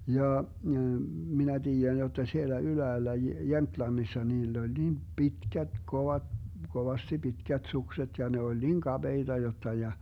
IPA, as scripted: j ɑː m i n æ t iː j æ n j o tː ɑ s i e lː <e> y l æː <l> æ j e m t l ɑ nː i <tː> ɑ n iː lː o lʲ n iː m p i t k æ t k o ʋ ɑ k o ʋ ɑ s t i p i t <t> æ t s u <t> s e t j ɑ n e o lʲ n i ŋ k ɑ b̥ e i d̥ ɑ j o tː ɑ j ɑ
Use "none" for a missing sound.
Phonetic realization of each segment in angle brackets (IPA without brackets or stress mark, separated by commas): æ, lː, sː, k, k